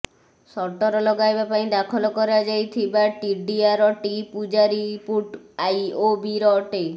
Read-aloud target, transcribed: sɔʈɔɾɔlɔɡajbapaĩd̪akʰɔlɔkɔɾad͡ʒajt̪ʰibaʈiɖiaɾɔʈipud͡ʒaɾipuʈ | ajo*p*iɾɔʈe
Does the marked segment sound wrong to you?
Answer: yes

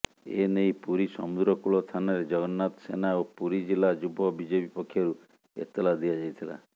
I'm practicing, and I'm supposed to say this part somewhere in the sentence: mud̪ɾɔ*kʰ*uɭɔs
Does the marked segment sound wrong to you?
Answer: yes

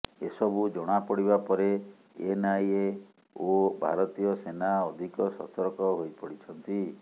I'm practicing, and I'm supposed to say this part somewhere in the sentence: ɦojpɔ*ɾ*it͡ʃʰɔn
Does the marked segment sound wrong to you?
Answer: yes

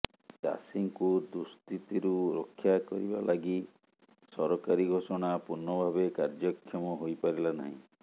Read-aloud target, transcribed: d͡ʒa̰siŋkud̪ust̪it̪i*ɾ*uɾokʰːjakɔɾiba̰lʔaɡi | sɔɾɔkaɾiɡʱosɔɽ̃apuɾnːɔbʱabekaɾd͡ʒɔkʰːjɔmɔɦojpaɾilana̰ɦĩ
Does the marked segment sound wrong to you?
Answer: no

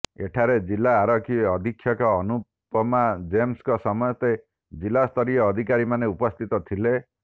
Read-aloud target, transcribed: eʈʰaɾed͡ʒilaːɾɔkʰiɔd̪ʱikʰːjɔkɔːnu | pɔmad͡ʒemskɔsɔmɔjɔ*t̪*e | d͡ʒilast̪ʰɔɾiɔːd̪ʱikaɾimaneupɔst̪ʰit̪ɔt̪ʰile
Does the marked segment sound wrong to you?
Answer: no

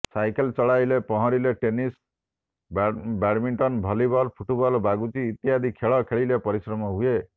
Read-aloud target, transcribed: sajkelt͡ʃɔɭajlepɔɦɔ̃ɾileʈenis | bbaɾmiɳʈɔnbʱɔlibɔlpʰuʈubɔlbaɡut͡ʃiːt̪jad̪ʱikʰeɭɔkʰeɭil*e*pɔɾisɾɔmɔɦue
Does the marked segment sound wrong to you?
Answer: no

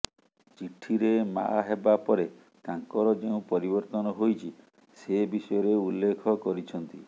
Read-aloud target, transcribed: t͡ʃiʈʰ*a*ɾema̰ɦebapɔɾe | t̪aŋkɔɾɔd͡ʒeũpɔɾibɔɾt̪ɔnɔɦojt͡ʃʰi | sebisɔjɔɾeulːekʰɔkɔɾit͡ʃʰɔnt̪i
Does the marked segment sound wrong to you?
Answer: yes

